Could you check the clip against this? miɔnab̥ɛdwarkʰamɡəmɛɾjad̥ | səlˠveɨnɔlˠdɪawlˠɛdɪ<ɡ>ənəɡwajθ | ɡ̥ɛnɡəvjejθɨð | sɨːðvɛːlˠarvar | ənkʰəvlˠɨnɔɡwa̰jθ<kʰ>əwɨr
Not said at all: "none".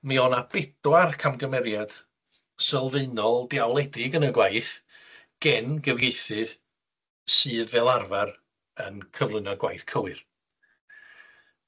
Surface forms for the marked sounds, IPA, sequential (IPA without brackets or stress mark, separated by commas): ɡ, kʰ